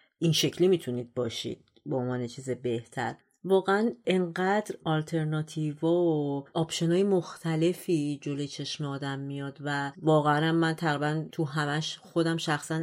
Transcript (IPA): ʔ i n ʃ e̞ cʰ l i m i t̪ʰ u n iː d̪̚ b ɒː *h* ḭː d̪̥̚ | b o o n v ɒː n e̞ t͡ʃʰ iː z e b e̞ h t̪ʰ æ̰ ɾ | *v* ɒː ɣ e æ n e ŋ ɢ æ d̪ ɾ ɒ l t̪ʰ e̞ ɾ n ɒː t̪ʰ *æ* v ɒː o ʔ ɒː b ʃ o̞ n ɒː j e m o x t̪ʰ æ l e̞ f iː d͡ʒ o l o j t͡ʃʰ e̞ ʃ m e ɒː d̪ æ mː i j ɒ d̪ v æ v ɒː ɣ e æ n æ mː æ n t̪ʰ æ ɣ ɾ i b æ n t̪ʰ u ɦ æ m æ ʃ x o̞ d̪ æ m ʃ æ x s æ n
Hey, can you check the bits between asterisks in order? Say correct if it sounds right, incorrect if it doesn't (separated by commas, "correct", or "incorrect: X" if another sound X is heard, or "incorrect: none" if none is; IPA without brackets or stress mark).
incorrect: ʃ, correct, incorrect: i